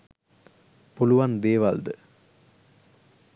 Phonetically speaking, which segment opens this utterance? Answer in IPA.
p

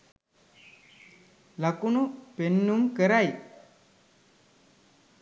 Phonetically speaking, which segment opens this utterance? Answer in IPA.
l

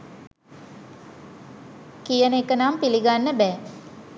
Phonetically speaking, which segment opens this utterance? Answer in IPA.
k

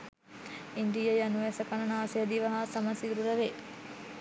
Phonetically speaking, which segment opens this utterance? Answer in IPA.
i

